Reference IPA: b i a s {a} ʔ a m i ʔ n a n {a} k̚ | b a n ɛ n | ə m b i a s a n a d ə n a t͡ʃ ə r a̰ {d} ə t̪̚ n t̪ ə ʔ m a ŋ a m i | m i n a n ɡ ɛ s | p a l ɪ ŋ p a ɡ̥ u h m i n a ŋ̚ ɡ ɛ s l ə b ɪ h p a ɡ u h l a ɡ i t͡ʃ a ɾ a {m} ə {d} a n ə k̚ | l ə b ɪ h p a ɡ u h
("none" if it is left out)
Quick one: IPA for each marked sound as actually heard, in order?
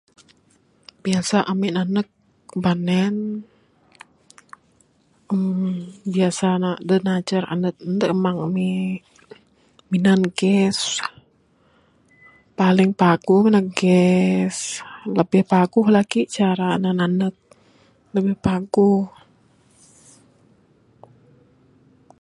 a, ə, n, n, n

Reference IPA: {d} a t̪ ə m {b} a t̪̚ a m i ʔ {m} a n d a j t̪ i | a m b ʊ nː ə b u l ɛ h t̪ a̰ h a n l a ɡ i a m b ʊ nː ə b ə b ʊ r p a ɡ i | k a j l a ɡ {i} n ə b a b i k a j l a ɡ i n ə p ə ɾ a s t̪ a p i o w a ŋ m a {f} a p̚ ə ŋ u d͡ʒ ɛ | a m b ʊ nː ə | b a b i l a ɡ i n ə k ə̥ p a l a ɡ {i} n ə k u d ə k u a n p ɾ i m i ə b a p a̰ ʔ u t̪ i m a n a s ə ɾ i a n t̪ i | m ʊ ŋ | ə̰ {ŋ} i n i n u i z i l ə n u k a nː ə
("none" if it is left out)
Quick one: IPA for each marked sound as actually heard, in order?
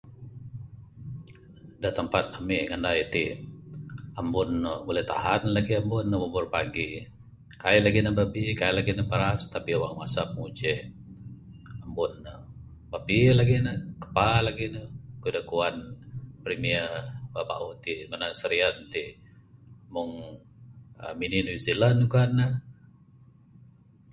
d, p, ŋ, i, s, i, m

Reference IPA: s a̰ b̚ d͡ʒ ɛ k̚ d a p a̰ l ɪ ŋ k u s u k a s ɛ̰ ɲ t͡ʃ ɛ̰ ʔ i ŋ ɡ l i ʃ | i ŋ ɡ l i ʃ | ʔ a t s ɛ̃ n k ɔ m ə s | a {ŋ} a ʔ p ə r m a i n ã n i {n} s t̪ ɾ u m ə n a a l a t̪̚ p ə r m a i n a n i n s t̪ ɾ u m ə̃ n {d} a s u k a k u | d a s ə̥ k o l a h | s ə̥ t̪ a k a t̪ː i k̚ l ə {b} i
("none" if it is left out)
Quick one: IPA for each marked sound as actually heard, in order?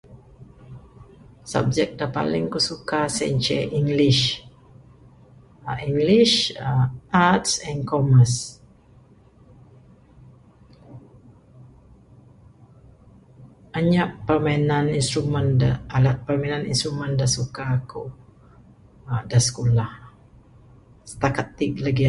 ɲ, n, d, ɡ

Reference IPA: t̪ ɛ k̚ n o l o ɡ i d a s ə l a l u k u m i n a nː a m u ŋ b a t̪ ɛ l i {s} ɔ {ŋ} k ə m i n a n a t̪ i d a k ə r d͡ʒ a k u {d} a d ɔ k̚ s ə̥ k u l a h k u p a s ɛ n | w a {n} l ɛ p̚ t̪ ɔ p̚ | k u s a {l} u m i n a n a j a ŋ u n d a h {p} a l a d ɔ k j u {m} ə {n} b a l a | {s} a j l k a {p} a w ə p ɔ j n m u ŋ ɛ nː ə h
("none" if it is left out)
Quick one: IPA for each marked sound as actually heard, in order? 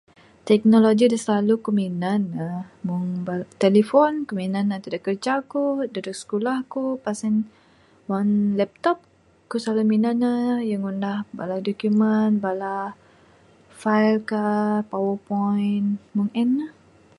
f, n, d, n, l, b, m, n, f, p

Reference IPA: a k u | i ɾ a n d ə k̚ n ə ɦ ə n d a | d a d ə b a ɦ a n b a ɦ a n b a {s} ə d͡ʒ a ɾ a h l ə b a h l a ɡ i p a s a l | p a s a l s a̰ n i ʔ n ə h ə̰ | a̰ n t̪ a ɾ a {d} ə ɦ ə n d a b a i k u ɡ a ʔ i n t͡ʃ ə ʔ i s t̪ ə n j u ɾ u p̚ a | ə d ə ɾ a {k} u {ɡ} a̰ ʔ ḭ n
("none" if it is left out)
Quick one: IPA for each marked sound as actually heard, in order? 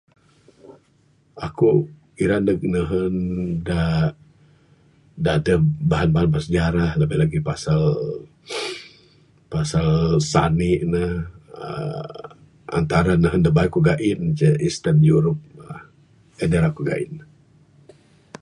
s, n, k, ɡ

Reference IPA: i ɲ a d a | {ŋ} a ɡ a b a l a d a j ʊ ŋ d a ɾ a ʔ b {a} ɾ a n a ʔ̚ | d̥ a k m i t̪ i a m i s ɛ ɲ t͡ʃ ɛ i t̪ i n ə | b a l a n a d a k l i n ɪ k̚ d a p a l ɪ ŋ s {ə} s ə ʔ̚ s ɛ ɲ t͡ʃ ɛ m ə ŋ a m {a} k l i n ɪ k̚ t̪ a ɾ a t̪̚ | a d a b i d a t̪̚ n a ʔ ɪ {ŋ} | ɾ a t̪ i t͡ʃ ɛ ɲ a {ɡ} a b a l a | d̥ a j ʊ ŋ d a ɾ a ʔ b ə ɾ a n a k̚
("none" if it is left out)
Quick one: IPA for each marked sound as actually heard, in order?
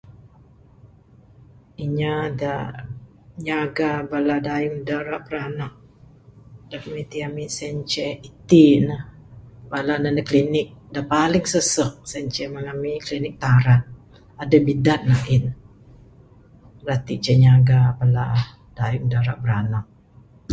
ɲ, ə, ə, i, n, ɡ

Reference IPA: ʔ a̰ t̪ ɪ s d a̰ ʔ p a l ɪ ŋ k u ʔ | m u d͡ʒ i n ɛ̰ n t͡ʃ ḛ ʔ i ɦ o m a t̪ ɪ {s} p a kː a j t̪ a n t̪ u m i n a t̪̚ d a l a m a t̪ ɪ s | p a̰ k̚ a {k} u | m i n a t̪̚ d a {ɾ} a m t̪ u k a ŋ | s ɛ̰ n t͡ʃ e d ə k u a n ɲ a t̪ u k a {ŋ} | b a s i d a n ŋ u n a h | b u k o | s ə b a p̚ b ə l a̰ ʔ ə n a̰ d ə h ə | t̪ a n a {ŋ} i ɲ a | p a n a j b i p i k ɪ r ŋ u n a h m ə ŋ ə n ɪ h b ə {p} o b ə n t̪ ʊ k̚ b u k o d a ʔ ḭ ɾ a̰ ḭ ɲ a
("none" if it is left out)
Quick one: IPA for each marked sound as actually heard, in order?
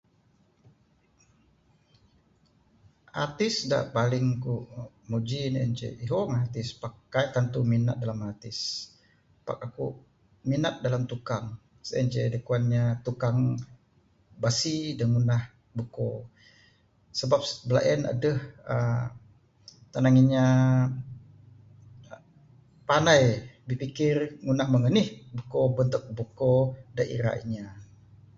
s, k, l, ŋ, ŋ, k

